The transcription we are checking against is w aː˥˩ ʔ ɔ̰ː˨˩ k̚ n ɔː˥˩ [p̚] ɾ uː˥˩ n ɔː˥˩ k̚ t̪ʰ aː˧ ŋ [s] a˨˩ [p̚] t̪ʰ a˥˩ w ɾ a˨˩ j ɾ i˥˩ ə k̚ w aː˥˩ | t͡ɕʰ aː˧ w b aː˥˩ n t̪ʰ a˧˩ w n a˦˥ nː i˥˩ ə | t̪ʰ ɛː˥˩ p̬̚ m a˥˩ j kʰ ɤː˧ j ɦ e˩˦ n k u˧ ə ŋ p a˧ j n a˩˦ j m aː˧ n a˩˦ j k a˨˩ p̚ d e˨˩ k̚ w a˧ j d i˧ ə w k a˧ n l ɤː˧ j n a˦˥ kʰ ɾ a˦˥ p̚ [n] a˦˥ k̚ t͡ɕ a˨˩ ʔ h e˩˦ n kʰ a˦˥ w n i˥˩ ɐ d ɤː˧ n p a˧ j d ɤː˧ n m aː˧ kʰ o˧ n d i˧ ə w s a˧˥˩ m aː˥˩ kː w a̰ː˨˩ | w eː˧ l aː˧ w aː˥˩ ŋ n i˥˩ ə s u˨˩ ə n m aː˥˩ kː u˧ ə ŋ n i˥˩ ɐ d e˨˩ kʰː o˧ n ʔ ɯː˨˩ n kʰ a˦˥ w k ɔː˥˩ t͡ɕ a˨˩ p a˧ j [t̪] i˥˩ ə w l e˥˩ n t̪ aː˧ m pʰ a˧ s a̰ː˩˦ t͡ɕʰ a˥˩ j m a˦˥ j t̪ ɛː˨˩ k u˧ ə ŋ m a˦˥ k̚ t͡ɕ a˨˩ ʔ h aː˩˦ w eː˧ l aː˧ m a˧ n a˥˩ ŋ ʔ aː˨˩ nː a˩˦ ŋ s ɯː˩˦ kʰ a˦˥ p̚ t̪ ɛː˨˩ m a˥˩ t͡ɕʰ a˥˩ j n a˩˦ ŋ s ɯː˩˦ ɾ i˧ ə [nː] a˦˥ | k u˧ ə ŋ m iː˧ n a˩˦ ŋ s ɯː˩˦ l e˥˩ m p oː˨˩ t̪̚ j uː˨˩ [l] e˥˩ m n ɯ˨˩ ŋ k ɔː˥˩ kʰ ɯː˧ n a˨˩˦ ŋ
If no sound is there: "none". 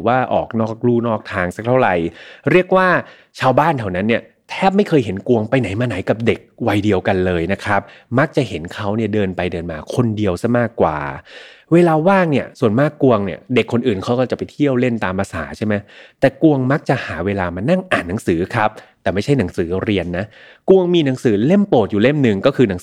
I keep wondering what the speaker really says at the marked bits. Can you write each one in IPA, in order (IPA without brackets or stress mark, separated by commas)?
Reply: k̚, s, k̚, m, t̪ʰ, nː, l